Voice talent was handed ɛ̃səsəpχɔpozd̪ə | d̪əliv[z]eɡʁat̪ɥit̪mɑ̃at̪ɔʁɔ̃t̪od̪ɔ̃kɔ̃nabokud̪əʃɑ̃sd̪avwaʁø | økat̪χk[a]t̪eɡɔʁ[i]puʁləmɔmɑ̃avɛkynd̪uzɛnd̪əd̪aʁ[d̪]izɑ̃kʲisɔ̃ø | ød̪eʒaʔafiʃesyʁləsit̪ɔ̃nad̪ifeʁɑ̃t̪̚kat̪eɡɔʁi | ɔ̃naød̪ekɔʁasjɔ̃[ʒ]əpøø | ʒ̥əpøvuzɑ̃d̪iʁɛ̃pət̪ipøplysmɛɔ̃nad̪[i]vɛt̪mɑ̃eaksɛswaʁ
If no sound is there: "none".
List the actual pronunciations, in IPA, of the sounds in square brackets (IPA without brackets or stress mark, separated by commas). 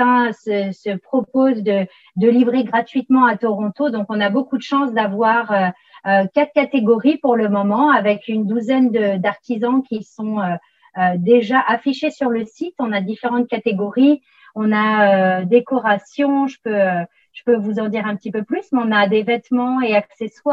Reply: ʁ, a, i, t̪, ʒ, e